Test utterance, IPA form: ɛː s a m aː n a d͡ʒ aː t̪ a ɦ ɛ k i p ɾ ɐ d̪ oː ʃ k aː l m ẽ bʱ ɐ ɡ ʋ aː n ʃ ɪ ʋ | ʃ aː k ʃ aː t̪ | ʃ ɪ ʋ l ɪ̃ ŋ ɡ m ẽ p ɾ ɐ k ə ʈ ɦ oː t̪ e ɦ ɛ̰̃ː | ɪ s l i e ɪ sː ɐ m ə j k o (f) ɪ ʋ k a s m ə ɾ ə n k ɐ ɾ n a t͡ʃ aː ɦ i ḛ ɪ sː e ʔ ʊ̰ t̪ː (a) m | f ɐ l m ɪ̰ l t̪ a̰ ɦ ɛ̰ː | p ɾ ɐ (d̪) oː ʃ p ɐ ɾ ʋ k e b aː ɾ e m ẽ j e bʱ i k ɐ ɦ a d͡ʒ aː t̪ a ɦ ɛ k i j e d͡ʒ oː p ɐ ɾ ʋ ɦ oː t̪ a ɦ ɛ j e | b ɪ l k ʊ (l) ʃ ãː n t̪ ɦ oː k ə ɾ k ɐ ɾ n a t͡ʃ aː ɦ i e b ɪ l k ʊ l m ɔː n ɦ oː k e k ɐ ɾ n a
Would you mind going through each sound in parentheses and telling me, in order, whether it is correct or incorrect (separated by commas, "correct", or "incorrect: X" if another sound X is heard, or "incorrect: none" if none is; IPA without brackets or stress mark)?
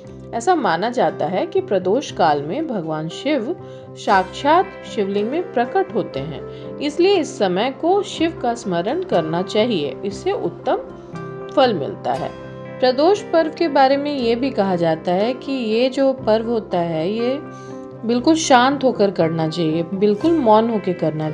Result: incorrect: ʃ, incorrect: ə, correct, correct